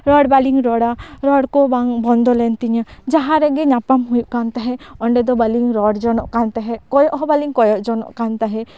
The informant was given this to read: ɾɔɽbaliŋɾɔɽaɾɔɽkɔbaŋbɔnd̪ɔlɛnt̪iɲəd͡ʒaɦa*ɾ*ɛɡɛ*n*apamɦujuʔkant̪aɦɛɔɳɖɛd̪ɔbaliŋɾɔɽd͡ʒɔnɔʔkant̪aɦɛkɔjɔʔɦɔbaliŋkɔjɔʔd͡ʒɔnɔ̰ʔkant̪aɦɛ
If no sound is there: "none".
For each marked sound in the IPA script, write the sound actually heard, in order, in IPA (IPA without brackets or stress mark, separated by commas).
ɾ, ɲ